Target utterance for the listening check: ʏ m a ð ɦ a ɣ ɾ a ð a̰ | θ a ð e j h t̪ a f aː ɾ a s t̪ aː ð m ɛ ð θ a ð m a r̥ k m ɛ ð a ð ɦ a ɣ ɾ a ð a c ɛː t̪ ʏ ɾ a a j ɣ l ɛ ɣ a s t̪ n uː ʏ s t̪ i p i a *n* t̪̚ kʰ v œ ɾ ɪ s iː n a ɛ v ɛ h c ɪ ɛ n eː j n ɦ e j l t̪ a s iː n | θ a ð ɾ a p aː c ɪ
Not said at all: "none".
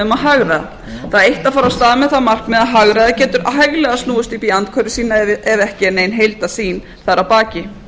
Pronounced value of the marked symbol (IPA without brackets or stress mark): n